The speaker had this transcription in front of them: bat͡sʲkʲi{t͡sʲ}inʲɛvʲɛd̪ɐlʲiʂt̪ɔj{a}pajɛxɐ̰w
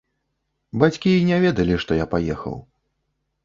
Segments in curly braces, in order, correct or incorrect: incorrect, correct

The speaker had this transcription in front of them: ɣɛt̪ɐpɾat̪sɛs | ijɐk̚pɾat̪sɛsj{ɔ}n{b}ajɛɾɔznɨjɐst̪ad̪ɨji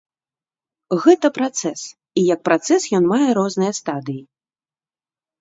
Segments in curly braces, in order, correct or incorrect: correct, incorrect

